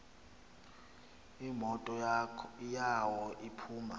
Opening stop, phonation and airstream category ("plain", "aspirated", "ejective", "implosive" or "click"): ejective